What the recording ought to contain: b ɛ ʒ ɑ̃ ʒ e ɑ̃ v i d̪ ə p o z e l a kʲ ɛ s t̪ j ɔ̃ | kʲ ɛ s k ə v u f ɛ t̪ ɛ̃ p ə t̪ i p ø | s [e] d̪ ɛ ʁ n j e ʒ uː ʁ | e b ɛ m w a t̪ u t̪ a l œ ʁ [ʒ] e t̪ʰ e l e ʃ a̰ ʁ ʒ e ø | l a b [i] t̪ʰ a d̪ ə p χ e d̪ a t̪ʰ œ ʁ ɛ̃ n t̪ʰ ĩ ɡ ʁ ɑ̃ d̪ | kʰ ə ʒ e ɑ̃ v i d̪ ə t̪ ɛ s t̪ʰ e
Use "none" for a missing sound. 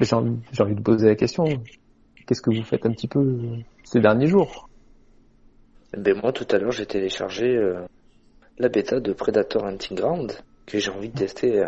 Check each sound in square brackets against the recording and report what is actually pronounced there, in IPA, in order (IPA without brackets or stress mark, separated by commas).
e, ʒ, e